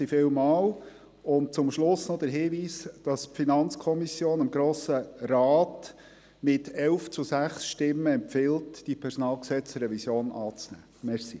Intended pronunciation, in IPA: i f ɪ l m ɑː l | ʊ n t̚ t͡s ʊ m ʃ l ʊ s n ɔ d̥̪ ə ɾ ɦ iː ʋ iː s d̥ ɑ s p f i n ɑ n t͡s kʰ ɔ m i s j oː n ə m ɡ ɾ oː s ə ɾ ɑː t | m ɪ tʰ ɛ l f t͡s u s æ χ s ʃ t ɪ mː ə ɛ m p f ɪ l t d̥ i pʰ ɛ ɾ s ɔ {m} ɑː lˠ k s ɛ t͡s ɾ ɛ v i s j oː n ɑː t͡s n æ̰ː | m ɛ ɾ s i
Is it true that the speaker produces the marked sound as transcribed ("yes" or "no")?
no